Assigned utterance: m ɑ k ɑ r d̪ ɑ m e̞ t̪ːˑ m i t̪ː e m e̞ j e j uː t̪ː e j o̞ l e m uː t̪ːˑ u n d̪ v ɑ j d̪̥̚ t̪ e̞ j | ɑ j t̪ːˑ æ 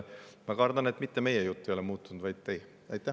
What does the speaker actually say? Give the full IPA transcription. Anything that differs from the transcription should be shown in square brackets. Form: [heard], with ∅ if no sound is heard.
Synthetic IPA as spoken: m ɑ k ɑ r d̪ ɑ [n] e̞ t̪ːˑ m i t̪ː e m e̞ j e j [u] t̪ː e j o̞ l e m uː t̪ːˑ u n d̪ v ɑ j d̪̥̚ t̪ e̞ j | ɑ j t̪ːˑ æ